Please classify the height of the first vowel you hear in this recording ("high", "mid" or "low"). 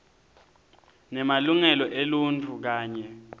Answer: mid